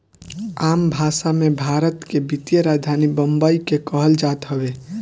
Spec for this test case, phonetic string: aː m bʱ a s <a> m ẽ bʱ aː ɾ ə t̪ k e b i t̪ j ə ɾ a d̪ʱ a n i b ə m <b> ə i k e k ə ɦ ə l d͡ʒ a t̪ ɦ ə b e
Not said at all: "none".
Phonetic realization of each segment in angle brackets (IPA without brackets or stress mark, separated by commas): a, b